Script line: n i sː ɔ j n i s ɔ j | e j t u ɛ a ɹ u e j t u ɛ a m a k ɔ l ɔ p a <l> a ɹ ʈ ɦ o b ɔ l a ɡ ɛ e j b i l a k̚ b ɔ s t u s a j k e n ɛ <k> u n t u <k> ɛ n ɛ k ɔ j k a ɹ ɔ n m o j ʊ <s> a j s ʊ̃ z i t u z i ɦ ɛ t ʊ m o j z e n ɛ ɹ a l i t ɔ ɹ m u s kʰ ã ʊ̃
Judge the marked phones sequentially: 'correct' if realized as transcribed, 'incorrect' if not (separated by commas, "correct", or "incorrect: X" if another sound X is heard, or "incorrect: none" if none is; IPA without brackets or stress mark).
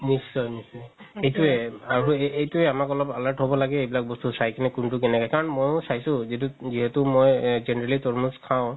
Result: correct, correct, correct, correct